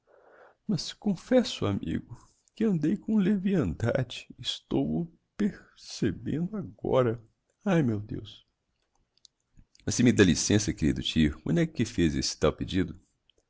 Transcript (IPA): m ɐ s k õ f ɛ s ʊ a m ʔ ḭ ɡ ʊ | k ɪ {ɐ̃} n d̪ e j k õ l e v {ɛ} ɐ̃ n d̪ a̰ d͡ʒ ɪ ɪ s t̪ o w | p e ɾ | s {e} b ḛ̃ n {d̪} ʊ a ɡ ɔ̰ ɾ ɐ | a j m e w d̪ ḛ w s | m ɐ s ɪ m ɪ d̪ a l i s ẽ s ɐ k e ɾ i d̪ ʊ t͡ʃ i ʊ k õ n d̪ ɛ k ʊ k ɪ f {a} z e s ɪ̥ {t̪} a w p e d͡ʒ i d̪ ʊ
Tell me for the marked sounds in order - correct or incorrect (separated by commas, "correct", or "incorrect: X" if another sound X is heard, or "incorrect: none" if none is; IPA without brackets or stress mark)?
correct, incorrect: i, correct, correct, incorrect: e, correct